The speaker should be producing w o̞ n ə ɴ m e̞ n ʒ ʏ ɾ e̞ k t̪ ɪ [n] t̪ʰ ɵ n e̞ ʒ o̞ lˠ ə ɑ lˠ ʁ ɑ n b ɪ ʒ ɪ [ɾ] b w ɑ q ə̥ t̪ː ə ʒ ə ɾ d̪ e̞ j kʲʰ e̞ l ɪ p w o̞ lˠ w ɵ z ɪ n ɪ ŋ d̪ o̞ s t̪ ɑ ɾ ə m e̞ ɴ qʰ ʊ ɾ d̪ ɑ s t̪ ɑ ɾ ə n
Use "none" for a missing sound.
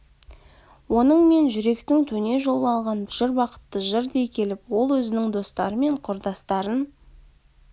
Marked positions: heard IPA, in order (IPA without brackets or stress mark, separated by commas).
ŋ, ɾ